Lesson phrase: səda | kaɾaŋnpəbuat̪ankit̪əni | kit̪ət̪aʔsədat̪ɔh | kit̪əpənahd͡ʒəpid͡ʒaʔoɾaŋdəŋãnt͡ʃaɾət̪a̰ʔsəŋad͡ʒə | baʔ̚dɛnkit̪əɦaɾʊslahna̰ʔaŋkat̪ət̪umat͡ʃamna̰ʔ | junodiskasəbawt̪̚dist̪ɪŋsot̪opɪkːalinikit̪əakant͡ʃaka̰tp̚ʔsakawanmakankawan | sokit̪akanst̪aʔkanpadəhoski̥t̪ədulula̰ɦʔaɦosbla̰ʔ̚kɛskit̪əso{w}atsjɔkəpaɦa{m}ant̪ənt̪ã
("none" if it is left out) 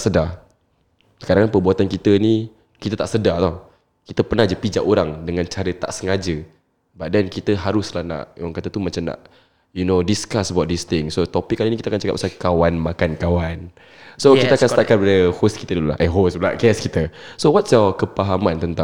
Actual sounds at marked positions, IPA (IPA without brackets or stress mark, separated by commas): w, m